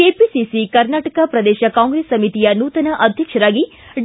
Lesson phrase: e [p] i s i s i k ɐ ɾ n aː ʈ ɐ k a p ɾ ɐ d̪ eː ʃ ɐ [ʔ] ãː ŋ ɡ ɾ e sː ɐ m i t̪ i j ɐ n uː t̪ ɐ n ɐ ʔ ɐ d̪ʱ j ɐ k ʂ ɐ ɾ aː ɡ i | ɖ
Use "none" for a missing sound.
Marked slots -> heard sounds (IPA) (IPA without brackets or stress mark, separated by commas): p, k